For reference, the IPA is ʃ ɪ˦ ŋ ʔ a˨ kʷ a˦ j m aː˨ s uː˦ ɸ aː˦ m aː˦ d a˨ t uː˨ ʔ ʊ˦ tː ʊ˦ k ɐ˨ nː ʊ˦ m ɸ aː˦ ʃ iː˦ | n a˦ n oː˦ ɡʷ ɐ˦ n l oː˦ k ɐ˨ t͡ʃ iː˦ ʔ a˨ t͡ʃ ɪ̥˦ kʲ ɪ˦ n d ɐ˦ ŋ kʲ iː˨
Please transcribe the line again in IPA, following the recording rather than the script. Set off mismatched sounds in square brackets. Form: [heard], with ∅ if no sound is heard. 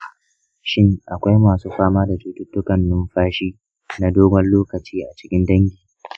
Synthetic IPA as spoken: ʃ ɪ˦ ŋ ʔ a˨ kʷ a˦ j m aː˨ s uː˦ ɸ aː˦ m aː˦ d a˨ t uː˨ [t] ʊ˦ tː ʊ˦ k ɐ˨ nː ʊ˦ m ɸ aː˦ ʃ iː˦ | n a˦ [d] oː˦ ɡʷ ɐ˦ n l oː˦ k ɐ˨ t͡ʃ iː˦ ʔ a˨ t͡ʃ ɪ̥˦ kʲ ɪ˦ n d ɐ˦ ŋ [ɡʲ] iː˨

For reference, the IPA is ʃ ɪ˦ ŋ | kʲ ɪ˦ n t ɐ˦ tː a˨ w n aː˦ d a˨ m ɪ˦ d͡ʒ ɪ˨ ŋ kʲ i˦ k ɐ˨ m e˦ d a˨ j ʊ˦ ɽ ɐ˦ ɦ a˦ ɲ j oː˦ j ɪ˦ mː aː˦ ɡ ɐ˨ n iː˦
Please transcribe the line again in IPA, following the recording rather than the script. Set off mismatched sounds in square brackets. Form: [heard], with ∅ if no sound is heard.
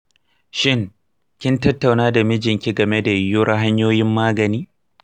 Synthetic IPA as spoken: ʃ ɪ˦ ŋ | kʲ ɪ˦ n t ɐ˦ tː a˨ w n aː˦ d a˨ m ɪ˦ d͡ʒ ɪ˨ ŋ kʲ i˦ [ɡ] ɐ˨ m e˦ d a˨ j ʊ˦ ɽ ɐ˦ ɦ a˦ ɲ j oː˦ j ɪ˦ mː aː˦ ɡ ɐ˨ n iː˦

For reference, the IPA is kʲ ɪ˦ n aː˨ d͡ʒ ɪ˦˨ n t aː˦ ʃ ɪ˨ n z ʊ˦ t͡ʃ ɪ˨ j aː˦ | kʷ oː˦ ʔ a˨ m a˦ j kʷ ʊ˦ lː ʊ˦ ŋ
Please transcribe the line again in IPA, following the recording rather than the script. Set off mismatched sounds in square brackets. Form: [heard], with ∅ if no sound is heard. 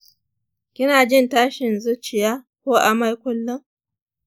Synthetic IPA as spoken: kʲ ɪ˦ n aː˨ d͡ʒ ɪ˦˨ n t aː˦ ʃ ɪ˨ n z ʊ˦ t͡ʃ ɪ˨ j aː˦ | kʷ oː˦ ʔ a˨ m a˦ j kʷ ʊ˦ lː ʊ˦ ŋ

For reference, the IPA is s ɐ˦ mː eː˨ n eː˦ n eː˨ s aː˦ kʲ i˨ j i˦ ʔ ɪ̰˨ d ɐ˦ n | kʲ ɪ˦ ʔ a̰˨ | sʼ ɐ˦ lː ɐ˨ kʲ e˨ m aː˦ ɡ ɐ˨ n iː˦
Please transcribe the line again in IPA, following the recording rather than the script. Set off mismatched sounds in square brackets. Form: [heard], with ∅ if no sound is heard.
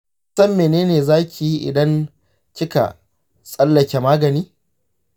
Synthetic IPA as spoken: s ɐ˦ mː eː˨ n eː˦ n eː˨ [z] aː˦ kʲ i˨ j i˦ ʔ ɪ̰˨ d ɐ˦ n | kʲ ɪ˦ [k] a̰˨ | sʼ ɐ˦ lː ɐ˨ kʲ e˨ m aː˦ ɡ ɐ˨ n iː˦

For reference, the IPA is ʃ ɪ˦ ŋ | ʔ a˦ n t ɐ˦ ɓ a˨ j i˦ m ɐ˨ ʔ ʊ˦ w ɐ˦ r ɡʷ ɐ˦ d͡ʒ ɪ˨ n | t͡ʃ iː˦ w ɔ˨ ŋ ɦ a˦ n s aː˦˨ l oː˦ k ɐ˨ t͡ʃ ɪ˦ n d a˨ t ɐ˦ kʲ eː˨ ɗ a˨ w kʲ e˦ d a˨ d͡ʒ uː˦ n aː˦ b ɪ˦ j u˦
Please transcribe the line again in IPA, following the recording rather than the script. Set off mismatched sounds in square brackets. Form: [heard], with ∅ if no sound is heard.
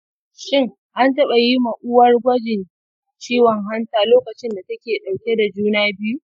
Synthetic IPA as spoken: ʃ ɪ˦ ŋ | ʔ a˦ n t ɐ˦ ɓ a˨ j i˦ m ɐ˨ ʔ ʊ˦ w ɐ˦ r ɡʷ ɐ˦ d͡ʒ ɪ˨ n | t͡ʃ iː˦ w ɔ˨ ŋ ɦ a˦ n [t] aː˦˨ l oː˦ k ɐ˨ t͡ʃ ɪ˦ n d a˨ t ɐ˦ kʲ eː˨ ɗ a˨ w kʲ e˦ d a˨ d͡ʒ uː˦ n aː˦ b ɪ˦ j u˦

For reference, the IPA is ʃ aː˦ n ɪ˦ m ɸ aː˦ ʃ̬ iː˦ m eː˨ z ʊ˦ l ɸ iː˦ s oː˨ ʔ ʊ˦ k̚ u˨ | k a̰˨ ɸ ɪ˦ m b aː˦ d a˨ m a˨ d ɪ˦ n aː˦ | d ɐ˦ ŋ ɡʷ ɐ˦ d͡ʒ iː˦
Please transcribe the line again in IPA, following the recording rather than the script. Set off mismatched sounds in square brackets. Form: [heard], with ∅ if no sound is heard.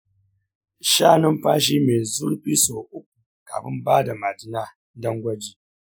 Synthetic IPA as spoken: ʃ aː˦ n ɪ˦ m ɸ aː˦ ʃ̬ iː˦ m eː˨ z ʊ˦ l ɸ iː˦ s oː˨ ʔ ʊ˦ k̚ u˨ | k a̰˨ ɸ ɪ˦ m b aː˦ d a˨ m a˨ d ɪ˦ n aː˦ | d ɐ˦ ŋ ɡʷ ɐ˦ d͡ʒ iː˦

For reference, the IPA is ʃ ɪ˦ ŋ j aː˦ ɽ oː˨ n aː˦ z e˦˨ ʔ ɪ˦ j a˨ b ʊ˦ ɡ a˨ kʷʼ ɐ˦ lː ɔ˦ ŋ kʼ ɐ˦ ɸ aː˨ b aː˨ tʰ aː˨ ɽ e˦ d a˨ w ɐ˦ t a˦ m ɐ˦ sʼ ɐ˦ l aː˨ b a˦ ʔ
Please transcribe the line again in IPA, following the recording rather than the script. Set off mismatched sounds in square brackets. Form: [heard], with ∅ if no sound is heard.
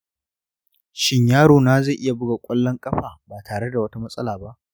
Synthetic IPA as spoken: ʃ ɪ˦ [ɲ] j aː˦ ɽ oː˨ n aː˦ z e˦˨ ʔ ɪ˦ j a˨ b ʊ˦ ɡ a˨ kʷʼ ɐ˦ lː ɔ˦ ŋ kʼ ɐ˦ ɸ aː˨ b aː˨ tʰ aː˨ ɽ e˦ d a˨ w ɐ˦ t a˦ m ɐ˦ sʼ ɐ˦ l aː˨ b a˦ ʔ

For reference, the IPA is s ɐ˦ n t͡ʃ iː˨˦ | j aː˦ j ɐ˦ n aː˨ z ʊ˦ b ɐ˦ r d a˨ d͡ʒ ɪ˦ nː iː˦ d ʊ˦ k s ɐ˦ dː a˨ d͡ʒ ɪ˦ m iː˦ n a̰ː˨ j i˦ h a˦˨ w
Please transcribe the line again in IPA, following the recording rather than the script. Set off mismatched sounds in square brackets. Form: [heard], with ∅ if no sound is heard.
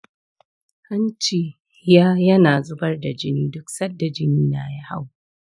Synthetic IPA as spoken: [h] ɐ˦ n t͡ʃ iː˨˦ | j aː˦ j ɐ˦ n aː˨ z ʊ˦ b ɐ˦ r d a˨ d͡ʒ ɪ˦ [n] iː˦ d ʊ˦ k s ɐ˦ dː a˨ d͡ʒ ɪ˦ [n] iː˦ n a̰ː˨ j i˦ h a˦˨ w

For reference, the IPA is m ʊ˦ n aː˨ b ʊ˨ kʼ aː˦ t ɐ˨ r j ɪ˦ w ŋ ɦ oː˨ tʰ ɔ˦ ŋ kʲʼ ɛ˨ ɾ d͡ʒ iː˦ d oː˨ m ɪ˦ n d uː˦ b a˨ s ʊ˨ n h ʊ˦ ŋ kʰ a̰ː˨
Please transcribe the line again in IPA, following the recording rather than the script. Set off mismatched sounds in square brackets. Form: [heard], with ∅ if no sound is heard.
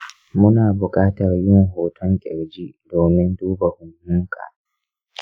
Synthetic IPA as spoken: m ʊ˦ n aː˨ b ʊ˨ kʼ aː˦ t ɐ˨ r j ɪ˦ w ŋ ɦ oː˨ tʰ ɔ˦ ŋ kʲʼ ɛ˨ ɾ d͡ʒ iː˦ d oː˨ m ɪ˦ n d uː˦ b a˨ [h] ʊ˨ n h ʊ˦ ŋ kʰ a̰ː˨

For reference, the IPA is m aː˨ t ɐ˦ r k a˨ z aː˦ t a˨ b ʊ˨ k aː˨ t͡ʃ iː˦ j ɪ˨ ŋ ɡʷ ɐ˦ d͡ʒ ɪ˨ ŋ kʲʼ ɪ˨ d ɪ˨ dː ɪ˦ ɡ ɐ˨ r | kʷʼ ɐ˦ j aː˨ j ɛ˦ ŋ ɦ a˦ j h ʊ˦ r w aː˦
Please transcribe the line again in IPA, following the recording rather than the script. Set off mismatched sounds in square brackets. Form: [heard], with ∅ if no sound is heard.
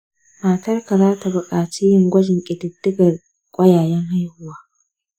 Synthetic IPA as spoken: m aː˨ t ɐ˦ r k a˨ z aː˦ t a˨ b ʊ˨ [kʼ] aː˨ t͡ʃ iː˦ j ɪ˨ ŋ ɡʷ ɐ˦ d͡ʒ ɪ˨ ŋ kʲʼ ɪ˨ d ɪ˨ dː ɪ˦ ɡ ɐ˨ r | kʷʼ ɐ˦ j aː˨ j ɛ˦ ŋ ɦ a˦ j h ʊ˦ [∅] w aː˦

